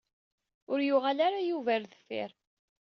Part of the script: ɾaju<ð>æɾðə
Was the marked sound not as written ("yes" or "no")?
yes